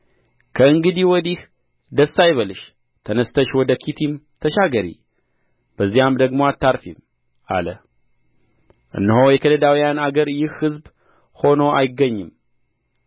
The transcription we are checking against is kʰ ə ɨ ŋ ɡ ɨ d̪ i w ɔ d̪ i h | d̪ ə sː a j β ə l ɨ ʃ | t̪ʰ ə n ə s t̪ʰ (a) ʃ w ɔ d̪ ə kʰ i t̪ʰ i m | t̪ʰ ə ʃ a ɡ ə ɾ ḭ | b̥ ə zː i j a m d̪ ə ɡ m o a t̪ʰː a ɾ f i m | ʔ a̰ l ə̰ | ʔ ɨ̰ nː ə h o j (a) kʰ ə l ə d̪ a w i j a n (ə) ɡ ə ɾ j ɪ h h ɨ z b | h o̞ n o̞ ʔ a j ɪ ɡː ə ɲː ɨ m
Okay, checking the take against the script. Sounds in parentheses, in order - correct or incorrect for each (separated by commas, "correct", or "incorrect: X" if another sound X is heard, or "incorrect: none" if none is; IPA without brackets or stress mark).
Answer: incorrect: ə, incorrect: ɛ, incorrect: a